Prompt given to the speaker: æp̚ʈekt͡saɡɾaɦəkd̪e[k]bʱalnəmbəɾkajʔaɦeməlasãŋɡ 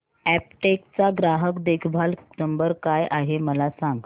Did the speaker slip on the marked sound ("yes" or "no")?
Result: yes